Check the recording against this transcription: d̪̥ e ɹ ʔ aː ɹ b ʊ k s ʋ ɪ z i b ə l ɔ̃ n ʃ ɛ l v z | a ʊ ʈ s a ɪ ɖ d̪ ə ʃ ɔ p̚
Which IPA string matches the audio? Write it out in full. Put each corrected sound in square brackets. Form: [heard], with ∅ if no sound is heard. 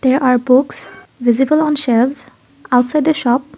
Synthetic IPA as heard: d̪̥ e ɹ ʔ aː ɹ b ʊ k s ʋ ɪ z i b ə l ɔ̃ n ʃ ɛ l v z | a ʊ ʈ s a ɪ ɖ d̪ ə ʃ ɔ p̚